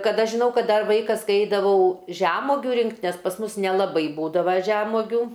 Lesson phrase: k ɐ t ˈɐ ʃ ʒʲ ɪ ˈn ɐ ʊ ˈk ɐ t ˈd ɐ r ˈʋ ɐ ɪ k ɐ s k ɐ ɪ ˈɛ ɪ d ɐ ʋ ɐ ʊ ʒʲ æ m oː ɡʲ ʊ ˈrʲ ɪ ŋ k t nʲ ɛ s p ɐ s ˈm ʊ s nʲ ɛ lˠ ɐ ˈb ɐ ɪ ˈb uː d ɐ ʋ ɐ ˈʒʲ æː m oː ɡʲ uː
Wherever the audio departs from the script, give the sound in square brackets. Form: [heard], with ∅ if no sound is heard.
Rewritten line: k ɐ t ˈɐ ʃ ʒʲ ɪ ˈn ɐ ʊ ˈk ɐ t ˈd ɐ r ˈʋ ɐ ɪ k ɐ s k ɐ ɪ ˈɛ ɪ d ɐ ʋ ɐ ʊ ʒʲ æ m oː ɡʲ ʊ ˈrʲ ɪ ŋ k t nʲ ɛ s p ɐ s ˈm ʊ s nʲ ɛ lˠ ɐ ˈb ɐ ɪ ˈb uː d ɐ ʋ ɐ ˈʒʲ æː m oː ɡʲ uː

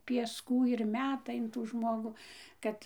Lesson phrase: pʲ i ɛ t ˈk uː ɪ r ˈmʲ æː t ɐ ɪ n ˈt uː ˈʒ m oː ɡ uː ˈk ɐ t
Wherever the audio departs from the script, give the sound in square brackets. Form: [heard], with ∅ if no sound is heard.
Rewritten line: pʲ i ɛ [s] ˈk uː ɪ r ˈmʲ æː t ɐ ɪ n ˈt uː ˈʒ m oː ɡ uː ˈk ɐ t

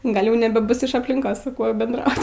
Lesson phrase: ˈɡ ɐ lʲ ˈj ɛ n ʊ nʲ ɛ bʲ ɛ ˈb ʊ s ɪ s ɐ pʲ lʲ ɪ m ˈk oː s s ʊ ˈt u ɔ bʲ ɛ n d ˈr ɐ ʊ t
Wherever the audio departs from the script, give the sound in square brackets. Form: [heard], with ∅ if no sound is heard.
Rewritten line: ˈɡ ɐ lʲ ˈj ɛ [∅] ʊ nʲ ɛ bʲ ɛ ˈb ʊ s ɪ [ʃ] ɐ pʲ lʲ ɪ [ŋ] ˈk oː s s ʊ [ˈk] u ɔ bʲ ɛ n d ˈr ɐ ʊ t

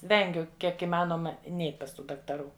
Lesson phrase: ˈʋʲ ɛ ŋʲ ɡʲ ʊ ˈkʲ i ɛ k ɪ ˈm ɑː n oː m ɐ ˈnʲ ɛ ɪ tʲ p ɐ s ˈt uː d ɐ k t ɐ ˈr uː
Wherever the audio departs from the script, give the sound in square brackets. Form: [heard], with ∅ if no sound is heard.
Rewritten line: ˈʋʲ ɛ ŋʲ ɡʲ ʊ ˈkʲ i ɛ k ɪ ˈm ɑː n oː m ɐ ˈnʲ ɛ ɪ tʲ p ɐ s ˈt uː d ɐ k t ɐ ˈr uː

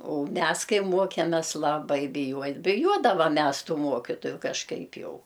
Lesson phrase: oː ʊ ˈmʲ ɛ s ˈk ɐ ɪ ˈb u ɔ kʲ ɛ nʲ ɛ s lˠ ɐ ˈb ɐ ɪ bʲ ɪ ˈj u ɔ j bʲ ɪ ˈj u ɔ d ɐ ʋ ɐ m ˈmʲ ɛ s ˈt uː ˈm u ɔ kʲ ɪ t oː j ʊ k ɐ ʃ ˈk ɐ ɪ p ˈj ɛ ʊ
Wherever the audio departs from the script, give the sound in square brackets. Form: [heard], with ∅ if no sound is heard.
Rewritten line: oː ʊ ˈmʲ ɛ s ˈk ɐ ɪ [ˈm] u ɔ kʲ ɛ [mʲ] ɛ s lˠ ɐ ˈb ɐ ɪ bʲ ɪ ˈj u ɔ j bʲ ɪ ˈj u ɔ d ɐ ʋ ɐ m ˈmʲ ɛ s ˈt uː ˈm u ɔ kʲ ɪ t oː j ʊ k ɐ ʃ ˈk ɐ ɪ p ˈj ɛ ʊ

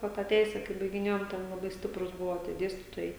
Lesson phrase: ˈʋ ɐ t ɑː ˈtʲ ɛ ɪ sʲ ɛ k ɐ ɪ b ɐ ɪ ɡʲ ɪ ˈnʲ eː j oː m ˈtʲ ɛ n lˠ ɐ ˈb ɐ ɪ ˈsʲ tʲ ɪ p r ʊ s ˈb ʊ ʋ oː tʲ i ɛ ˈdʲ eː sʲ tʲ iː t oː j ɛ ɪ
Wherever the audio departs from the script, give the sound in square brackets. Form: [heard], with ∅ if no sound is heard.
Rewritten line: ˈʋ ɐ t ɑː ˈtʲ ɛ ɪ sʲ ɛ k ɐ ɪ b ɐ ɪ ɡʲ ɪ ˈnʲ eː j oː m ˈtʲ ɛ n lˠ ɐ ˈb ɐ ɪ ˈsʲ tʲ ɪ p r ʊ s ˈb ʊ ʋ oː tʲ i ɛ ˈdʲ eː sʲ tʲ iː t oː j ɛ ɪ

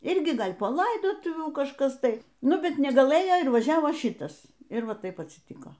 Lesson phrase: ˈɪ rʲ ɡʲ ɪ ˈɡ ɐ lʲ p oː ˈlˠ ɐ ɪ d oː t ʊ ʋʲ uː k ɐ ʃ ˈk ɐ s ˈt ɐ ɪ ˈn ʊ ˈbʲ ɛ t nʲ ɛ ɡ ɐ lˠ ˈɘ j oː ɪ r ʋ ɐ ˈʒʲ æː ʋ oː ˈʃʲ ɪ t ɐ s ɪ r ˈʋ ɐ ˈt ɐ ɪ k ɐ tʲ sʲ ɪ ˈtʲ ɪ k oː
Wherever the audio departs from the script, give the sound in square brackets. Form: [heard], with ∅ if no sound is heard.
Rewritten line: ˈɪ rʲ ɡʲ ɪ ˈɡ ɐ lʲ p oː ˈlˠ ɐ ɪ d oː t ʊ ʋʲ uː k ɐ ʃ ˈk ɐ s ˈt ɐ ɪ ˈn ʊ ˈbʲ ɛ t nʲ ɛ ɡ ɐ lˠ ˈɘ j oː ɪ r ʋ ɐ ˈʒʲ æː ʋ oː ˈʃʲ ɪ t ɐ s ɪ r ˈʋ ɐ ˈt ɐ ɪ [p] ɐ tʲ sʲ ɪ ˈtʲ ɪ k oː

